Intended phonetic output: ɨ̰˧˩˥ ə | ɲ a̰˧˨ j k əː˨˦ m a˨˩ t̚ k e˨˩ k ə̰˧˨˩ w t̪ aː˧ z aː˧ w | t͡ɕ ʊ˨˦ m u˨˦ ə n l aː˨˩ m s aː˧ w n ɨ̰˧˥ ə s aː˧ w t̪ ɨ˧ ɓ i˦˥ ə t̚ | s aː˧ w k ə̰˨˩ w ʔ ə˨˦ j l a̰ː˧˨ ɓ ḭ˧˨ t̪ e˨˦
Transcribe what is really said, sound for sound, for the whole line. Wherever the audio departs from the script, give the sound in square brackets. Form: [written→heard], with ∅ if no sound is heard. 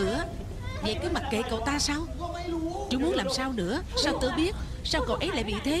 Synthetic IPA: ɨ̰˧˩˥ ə | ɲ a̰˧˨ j k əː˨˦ m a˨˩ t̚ k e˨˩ k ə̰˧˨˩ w t̪ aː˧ [z→s] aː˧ w | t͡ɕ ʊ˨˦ m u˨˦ ə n l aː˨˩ m s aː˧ w n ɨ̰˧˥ ə s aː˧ w t̪ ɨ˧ ɓ i˦˥ ə t̚ | s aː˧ w k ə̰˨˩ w ʔ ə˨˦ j l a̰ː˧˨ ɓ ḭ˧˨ [t̪→t̪ʰ] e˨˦